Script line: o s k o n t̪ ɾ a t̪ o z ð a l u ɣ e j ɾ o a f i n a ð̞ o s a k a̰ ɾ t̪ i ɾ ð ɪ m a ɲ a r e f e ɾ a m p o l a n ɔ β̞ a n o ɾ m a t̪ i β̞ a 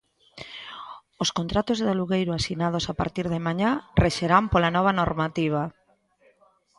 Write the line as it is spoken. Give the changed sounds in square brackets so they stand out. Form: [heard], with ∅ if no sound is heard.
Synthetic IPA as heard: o s k o n t̪ ɾ a t̪ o z ð a l u ɣ e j ɾ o a [s] i n a ð̞ o s a [p] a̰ ɾ t̪ i ɾ ð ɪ m a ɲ a r e [ʃ] e ɾ a m p o l a n ɔ β̞ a n o ɾ m a t̪ i β̞ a